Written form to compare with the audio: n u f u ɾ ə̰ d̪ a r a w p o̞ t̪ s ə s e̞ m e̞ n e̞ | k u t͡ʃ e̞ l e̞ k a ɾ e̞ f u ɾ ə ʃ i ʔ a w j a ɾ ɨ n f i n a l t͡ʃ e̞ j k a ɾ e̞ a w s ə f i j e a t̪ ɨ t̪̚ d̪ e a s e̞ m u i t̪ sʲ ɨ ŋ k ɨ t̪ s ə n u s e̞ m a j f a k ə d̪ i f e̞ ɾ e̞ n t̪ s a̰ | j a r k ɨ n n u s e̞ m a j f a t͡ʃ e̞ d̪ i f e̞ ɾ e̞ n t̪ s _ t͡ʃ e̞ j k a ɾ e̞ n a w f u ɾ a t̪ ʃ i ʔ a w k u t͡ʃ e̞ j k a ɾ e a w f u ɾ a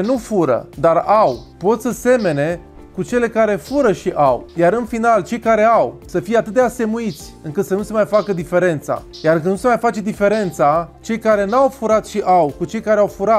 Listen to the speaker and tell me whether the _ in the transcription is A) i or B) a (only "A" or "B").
B